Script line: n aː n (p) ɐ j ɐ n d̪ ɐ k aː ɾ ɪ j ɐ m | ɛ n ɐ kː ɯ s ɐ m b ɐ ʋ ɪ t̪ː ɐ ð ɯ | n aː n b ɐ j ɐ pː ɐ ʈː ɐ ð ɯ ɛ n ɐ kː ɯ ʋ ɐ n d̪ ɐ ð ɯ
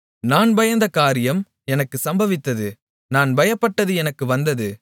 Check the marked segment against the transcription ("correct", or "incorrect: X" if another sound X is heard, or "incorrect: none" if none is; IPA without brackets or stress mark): incorrect: b